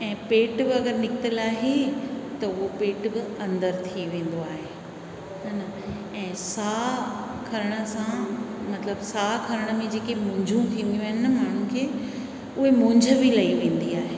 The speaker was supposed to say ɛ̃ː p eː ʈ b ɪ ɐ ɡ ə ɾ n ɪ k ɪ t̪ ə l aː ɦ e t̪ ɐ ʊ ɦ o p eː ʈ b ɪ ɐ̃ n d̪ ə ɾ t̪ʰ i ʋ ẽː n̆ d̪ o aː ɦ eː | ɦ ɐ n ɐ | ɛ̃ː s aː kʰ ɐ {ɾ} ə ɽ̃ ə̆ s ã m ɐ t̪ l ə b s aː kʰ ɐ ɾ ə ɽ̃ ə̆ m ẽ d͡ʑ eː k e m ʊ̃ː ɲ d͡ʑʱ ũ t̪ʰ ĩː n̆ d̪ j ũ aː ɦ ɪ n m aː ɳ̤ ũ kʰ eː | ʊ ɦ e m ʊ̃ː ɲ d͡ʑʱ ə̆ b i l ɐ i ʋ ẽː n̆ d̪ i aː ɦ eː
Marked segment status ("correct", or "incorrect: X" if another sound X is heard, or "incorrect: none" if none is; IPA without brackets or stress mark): correct